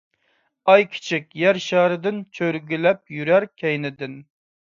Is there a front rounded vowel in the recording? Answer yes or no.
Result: yes